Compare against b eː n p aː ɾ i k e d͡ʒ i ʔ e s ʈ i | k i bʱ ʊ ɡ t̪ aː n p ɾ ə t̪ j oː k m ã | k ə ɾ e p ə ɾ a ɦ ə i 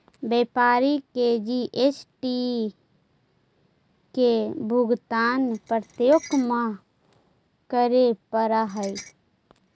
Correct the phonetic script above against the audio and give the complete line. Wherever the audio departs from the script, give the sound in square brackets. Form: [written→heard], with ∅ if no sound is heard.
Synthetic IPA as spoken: b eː [n→∅] p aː ɾ i k e d͡ʒ i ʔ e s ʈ i | k [i→e] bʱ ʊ ɡ t̪ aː n p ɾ ə t̪ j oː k m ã | k ə ɾ e p ə ɾ a ɦ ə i